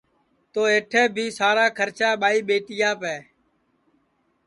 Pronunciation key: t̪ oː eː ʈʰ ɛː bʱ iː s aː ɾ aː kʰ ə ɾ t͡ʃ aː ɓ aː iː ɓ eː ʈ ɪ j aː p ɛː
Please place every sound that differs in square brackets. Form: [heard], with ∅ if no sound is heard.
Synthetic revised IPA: t̪ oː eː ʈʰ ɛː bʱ iː s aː ɾ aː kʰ ə ɾ t͡ʃ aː ɓ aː iː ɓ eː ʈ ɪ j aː p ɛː